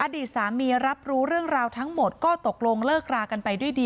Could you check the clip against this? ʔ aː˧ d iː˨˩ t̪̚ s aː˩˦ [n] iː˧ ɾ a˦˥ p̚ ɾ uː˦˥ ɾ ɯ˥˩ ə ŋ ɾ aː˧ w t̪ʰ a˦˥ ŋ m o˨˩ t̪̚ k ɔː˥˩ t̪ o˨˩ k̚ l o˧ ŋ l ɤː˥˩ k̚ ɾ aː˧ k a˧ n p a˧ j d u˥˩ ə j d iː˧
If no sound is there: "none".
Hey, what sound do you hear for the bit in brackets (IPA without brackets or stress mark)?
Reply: m